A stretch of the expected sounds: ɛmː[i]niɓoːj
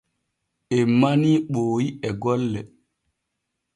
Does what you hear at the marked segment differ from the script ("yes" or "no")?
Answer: yes